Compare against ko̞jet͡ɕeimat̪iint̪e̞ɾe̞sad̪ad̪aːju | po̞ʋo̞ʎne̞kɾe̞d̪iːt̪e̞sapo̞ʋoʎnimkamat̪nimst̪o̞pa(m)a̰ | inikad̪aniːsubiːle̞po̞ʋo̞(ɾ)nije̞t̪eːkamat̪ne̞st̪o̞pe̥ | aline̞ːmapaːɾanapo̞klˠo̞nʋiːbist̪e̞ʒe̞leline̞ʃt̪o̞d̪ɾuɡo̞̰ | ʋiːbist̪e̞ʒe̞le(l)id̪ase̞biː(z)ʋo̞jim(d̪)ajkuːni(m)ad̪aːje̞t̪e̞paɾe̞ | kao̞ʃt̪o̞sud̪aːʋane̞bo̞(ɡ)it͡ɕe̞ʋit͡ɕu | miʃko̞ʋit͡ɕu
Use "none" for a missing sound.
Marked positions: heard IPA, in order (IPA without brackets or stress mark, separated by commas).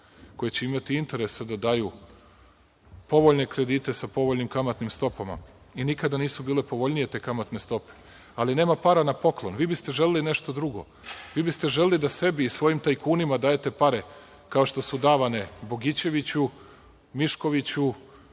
m, ʎ, l, s, t̪, m, ɡ